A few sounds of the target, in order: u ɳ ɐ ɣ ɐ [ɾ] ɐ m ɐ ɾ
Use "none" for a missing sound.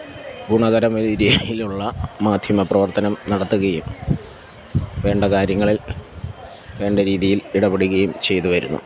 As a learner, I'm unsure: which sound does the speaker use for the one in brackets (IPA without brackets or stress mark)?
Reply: ɾ